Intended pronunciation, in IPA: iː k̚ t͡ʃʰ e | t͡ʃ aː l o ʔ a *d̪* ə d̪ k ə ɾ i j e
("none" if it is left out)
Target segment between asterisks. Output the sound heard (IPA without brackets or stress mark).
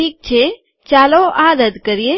d̪